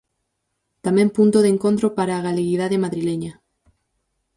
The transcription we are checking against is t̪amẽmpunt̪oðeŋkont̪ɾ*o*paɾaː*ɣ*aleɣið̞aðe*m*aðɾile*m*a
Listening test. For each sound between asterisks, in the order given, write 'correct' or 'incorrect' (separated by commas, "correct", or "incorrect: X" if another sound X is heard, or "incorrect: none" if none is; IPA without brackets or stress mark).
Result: correct, correct, correct, incorrect: ɲ